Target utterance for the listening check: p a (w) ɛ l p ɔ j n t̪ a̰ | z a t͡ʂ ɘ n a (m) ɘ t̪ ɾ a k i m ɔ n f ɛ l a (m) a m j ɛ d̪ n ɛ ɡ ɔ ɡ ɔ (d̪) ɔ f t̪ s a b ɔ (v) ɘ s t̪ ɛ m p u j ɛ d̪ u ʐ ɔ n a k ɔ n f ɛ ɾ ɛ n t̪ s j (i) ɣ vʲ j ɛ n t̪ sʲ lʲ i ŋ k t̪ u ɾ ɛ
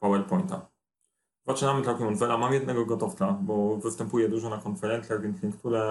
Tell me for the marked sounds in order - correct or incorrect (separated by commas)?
correct, correct, correct, incorrect, correct, incorrect